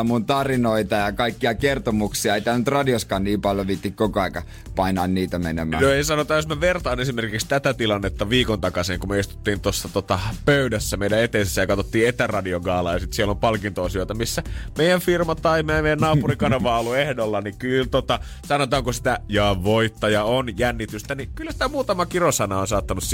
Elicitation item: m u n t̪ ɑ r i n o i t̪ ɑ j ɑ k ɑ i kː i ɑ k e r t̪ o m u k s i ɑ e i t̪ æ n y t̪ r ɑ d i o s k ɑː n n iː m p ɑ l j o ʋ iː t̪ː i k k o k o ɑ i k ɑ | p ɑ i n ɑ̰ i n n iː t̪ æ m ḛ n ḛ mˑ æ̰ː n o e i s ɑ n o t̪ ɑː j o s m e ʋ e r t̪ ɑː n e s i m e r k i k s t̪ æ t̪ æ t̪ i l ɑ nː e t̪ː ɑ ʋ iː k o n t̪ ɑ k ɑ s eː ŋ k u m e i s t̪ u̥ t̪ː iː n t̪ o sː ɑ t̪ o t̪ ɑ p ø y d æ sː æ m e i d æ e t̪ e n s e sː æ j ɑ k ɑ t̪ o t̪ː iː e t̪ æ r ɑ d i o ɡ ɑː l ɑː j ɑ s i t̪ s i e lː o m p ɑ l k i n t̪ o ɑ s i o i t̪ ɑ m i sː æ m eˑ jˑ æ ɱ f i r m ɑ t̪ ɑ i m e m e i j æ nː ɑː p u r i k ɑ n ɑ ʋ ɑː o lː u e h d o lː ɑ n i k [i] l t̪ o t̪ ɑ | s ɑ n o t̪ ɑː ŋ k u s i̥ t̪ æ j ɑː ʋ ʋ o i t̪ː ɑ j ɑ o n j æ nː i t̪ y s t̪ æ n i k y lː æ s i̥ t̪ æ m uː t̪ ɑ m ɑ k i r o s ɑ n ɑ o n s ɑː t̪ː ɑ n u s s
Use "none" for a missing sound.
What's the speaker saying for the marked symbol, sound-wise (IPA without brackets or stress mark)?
y